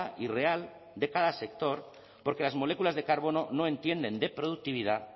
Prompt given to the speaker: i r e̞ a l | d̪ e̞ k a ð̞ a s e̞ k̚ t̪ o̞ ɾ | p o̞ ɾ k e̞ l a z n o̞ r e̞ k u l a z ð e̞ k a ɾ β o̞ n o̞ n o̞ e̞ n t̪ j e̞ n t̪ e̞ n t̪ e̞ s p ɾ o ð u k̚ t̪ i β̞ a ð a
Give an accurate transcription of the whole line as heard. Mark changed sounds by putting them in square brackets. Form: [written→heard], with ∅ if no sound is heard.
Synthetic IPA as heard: i r e̞ a l | d̪ e̞ k a ð̞ a s e̞ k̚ t̪ o̞ ɾ | p o̞ ɾ k e̞ l a z [n→m] o̞ [r→l] e̞ k u l a z ð e̞ k a ɾ β o̞ n o̞ n o̞ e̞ n t̪ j e̞ n [t̪→d̪] e̞ n [t̪→d̪] e̞ [s→∅] p ɾ o ð u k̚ t̪ i β̞ [a→i] ð a

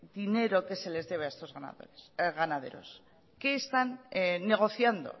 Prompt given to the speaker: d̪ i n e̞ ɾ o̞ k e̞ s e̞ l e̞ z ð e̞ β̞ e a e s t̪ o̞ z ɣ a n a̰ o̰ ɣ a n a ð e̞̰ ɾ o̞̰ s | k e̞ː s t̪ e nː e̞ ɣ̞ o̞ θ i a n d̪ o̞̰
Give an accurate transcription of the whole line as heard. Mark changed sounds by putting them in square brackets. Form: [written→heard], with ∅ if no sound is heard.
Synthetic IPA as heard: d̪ i n e̞ ɾ o̞ k e̞ s e̞ l e̞ z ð e̞ β̞ e a e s t̪ o̞ z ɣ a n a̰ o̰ ɣ a n a ð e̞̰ ɾ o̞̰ s | k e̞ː s t̪ [e→a] nː e̞ ɣ̞ o̞ θ [i→j] a n d̪ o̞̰

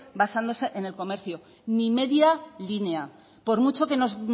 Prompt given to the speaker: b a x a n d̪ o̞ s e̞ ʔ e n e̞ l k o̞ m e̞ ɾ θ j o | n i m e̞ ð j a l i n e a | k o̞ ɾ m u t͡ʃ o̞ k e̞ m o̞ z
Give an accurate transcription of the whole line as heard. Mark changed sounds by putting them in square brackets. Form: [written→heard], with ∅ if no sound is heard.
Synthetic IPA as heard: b a [x→s] a n d̪ o̞ s e̞ ʔ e n e̞ l k o̞ m e̞ ɾ θ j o | n i m e̞ ð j a l i n e a | [k→p] o̞ ɾ m u t͡ʃ o̞ k e̞ [m→n] o̞ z

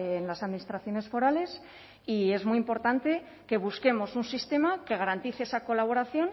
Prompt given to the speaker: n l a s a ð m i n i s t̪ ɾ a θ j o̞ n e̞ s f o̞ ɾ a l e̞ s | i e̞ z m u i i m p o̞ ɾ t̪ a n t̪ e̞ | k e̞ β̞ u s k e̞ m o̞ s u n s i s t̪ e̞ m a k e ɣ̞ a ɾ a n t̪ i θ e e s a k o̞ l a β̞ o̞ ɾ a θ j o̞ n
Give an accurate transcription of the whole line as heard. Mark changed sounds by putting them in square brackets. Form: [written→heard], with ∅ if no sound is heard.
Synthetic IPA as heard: n l a s a ð m i n i s t̪ ɾ a θ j o̞ n e̞ s f o̞ ɾ a l e̞ s | i e̞ z m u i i m p o̞ ɾ t̪ a n t̪ e̞ | k e̞ β̞ u s k e̞ m o̞ s u n s i s t̪ e̞ m a k e ɣ̞ a ɾ a n t̪ i θ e e s a k o̞ l a β̞ o̞ ɾ a θ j o̞ n

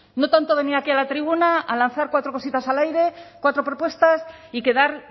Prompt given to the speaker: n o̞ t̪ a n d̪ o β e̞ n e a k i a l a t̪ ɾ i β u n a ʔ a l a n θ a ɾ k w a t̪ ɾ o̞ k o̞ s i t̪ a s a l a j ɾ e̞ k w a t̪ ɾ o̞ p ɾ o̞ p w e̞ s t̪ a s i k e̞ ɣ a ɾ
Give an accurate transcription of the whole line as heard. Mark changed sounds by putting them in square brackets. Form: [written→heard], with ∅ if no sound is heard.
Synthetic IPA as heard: n o̞ t̪ a n [d̪→t̪] o β e̞ n [e→i] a k i a l a t̪ ɾ i β u n a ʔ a l a n θ a ɾ k w a t̪ ɾ o̞ k o̞ s i t̪ a s a l a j ɾ e̞ k w a t̪ ɾ o̞ p ɾ o̞ p w e̞ s t̪ a s i k e̞ [ɣ→ð] a ɾ

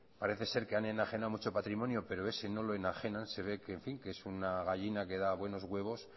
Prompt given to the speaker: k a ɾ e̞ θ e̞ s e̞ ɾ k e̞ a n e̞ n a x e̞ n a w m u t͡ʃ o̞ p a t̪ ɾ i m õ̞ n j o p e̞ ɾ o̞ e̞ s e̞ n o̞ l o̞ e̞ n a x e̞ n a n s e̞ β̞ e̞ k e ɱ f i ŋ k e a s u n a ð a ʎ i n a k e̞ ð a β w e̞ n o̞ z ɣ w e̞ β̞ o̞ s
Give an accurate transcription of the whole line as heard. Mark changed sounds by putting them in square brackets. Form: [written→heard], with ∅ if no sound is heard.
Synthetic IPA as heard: [k→p] a ɾ e̞ θ e̞ s e̞ ɾ k e̞ a n e̞ n a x e̞ n a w m u t͡ʃ o̞ p a t̪ ɾ i m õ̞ n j o p e̞ ɾ o̞ e̞ s e̞ n o̞ l o̞ e̞ n a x e̞ n a n s e̞ β̞ e̞ k e ɱ f i ŋ k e [a→e] s u n a [ð→ɣ] a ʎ i n a k e̞ ð a β w e̞ n o̞ z ɣ w e̞ β̞ o̞ s

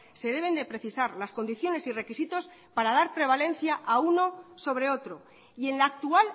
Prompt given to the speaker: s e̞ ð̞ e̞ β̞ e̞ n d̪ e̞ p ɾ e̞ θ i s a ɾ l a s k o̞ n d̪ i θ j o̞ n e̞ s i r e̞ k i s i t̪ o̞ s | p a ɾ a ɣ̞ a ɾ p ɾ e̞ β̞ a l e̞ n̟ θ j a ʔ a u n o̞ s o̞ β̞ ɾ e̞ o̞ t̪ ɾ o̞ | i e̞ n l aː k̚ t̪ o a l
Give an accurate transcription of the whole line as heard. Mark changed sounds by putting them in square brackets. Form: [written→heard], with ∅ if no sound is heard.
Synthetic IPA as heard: s e̞ ð̞ e̞ β̞ e̞ n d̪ e̞ p ɾ e̞ θ i s a ɾ l a s k o̞ n d̪ i θ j o̞ n e̞ s i r e̞ k i s i t̪ o̞ s | p a ɾ a [ɣ̞→ð̞] a ɾ p ɾ e̞ β̞ a l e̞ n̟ θ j a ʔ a u n o̞ s o̞ β̞ ɾ e̞ o̞ t̪ ɾ o̞ | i e̞ n l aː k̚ t̪ [o→u] a l

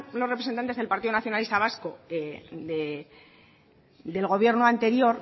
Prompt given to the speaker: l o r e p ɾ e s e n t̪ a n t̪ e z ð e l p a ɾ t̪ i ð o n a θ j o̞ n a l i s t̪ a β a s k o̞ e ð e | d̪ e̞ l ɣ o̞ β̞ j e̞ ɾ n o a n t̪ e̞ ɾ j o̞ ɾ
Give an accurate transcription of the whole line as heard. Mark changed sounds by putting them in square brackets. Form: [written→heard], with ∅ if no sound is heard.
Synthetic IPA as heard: l o r e p ɾ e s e n t̪ a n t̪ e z ð e l p a ɾ t̪ i ð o n a θ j o̞ n a l i s t̪ a β a s k o̞ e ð e | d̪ e̞ l ɣ o̞ β̞ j e̞ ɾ n o a n t̪ e̞ ɾ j o̞ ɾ

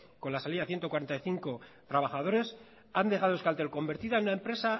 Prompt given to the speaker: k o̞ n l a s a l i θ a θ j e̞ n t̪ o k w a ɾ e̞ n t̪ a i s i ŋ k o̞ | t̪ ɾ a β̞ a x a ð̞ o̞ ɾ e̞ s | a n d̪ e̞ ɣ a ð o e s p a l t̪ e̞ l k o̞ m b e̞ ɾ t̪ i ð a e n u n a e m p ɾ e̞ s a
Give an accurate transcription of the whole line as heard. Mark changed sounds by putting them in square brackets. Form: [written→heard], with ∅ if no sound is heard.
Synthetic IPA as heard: k o̞ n l a s a l i [θ→ð] a θ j e̞ n t̪ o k w a ɾ e̞ n t̪ a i [s→θ] i ŋ k o̞ | t̪ ɾ a β̞ a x a ð̞ o̞ ɾ e̞ s | a n d̪ e̞ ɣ a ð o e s [p→k] a l t̪ e̞ l k o̞ m b e̞ ɾ t̪ i ð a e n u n a e m p ɾ e̞ s a

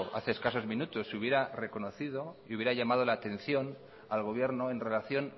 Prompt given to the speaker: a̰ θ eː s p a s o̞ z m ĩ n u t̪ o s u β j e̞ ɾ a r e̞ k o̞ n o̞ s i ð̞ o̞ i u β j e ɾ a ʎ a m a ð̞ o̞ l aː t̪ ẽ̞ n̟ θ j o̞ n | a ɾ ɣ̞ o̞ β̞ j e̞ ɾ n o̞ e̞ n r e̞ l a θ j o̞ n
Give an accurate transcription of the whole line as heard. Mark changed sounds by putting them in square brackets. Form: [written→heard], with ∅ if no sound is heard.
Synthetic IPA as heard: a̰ θ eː s [p→k] a s o̞ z m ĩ n u t̪ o s u β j e̞ ɾ a r e̞ k o̞ n o̞ [s→θ] i ð̞ o̞ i u β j e ɾ a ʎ a m a ð̞ o̞ l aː t̪ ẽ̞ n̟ θ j o̞ n | a [ɾ→l] ɣ̞ o̞ β̞ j e̞ ɾ n o̞ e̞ n r e̞ l a θ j o̞ n

